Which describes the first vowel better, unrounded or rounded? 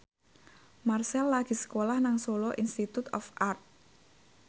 unrounded